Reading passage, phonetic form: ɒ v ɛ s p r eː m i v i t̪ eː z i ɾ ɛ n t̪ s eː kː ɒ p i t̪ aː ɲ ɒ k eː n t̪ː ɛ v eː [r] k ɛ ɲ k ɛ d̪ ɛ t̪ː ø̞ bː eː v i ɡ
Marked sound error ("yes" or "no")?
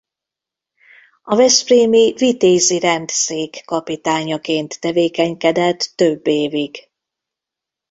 yes